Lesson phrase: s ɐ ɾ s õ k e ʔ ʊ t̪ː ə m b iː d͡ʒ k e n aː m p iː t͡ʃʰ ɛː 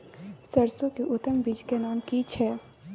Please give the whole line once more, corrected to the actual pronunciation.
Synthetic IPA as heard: s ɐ ɾ s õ k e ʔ ʊ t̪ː ə m b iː d͡ʒ k e n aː m k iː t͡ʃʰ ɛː

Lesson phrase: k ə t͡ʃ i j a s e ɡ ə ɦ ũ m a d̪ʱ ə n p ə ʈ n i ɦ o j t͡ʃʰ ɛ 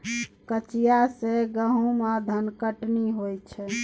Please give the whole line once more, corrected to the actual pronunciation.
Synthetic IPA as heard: k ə t͡ʃ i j a s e ɡ ə ɦ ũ m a d̪ʱ ə n k ə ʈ n i ɦ o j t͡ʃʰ ɛ

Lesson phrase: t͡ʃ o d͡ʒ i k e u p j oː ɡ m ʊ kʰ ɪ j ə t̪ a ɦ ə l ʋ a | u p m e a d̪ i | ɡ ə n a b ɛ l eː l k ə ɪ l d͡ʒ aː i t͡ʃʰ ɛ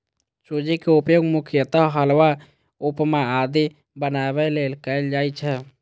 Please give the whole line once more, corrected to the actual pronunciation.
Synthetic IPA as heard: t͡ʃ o d͡ʒ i k e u p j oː ɡ m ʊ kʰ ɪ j ə t̪ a ɦ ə l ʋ a | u p m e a d̪ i | b ə n a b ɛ l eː l k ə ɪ l d͡ʒ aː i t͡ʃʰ ɛ

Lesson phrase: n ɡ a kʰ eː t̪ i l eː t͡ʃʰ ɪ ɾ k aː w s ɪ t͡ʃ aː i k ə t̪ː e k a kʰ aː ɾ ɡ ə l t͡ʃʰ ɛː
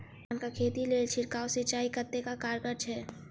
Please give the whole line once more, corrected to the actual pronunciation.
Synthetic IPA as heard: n k a kʰ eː t̪ i l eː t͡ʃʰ ɪ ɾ k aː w s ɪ t͡ʃ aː i k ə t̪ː e k a k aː ɾ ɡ ə ɾ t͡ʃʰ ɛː

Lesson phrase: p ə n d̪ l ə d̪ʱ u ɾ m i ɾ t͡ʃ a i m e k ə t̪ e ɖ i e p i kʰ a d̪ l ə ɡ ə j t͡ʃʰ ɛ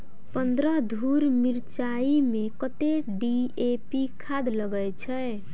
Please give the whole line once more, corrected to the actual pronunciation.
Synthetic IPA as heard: p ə n d̪ ɾ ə d̪ʱ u ɾ m i ɾ t͡ʃ a i m e k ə t̪ e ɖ i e p i kʰ a d̪ l ə ɡ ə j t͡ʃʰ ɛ

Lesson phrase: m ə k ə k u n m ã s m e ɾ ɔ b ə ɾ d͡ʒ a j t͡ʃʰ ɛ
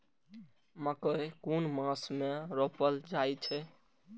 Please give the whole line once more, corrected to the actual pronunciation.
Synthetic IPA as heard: m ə k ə k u n m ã s m e ɾ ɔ p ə l d͡ʒ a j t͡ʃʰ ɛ

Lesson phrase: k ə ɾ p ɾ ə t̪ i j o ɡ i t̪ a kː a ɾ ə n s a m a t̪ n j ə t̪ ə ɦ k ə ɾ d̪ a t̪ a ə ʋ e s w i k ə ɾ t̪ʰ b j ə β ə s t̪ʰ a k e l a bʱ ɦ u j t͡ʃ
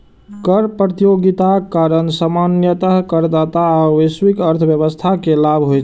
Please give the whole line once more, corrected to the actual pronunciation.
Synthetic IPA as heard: k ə ɾ p ɾ ə t̪ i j o ɡ i t̪ a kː a ɾ ə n s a m a n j ə t̪ ə ɦ k ə ɾ d̪ a t̪ a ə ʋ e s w i k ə ɾ t̪ʰ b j ə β ə s t̪ʰ a k e l a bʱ ɦ o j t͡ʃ

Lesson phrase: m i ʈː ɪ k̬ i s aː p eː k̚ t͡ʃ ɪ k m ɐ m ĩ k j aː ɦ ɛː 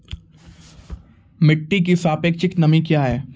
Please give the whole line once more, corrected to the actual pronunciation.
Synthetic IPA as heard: m ɪ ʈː i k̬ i s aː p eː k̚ t͡ʃ ɪ k n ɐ m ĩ k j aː ɦ ɛː

